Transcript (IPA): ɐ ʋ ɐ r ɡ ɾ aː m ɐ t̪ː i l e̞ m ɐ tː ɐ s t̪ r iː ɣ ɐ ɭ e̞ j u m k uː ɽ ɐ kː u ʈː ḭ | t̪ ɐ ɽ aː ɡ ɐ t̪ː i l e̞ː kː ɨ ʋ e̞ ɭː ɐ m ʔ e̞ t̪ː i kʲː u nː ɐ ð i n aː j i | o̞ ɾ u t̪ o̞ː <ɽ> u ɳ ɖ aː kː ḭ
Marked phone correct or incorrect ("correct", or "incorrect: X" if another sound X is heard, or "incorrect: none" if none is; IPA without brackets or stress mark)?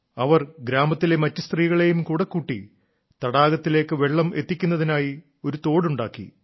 correct